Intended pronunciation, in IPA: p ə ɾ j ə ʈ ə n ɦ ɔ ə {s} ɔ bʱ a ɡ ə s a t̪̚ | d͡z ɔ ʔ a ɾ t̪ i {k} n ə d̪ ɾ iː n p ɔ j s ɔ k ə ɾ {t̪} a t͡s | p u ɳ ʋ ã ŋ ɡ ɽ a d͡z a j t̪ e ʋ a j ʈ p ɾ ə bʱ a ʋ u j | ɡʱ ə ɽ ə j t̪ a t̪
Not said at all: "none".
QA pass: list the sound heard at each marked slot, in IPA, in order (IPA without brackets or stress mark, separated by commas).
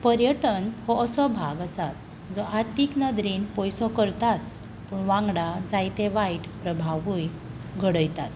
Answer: s, k, t̪